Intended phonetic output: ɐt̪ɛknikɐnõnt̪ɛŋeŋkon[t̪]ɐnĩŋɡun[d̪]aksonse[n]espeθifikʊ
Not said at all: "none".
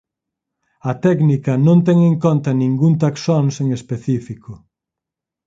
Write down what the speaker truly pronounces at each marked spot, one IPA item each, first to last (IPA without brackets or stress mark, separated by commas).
t̪, t̪, ŋ